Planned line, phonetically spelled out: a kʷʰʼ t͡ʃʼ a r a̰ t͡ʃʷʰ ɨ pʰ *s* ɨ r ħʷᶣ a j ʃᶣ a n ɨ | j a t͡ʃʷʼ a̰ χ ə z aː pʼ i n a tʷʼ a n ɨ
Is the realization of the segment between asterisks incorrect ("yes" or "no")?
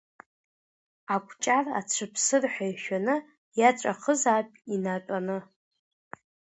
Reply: no